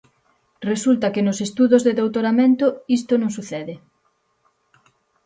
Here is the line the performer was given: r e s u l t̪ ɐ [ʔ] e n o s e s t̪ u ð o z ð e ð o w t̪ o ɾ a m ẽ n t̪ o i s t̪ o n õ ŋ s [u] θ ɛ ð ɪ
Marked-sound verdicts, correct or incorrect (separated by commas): incorrect, correct